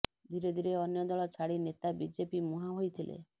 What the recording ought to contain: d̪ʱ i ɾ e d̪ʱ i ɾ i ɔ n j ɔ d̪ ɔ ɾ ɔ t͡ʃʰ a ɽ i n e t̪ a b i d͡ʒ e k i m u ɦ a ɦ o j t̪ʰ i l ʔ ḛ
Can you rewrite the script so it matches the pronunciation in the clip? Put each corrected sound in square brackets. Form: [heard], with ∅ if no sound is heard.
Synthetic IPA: d̪ʱ i ɾ e d̪ʱ i ɾ [e] ɔ n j ɔ d̪ ɔ [ɭ] ɔ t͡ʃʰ a ɽ i n e t̪ a b i d͡ʒ e [p] i m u ɦ a ɦ o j t̪ʰ i l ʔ ḛ